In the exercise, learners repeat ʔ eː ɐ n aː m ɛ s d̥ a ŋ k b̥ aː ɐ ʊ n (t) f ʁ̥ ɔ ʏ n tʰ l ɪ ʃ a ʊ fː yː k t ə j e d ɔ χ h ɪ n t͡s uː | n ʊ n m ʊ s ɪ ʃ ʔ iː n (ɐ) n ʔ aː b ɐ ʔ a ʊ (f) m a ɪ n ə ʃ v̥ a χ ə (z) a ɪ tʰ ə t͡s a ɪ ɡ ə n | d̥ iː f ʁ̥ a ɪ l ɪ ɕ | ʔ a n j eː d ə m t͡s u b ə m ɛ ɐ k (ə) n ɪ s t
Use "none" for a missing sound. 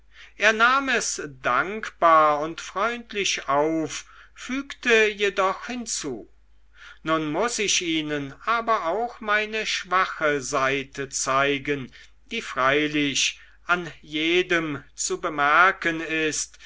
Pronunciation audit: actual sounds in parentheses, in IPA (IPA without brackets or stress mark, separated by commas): t, ə, x, z, ə